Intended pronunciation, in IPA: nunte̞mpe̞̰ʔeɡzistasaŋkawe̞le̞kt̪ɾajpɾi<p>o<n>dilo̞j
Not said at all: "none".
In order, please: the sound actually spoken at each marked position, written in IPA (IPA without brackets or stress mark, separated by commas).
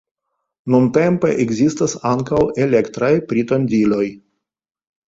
t, n